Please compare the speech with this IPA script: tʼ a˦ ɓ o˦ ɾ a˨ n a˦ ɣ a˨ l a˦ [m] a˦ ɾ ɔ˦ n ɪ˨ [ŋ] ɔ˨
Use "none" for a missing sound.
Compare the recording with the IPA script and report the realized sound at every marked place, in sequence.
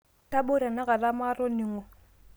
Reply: m, ŋ

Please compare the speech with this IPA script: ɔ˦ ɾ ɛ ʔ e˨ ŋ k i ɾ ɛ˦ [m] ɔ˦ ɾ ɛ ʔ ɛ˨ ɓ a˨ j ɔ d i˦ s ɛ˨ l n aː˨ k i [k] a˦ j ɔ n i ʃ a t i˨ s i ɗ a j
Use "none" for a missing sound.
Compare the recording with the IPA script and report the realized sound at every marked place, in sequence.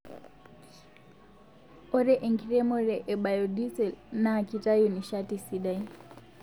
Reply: m, t

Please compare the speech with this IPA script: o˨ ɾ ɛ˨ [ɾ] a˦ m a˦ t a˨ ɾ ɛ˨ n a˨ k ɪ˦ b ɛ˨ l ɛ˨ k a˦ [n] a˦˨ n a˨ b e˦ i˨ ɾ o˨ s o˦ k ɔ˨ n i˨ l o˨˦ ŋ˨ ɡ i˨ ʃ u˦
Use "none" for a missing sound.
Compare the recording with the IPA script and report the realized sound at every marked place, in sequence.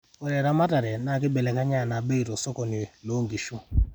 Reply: ɾ, ɲ

